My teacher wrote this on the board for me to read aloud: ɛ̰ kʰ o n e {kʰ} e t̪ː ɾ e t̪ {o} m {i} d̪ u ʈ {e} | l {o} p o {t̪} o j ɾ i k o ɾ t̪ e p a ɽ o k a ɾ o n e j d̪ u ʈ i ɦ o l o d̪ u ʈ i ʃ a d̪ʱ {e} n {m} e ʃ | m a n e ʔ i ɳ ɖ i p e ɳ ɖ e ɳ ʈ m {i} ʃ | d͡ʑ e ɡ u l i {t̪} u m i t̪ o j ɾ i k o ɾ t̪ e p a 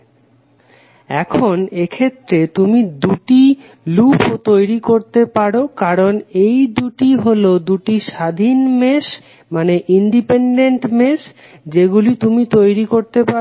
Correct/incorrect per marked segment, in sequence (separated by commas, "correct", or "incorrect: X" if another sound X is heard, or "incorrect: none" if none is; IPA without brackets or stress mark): correct, incorrect: u, correct, incorrect: i, incorrect: u, correct, incorrect: i, correct, incorrect: e, correct